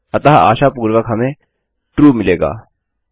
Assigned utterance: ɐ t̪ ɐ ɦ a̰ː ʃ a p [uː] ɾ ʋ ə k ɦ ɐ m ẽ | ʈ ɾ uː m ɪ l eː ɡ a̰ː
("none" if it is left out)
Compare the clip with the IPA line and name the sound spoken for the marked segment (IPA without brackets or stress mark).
uː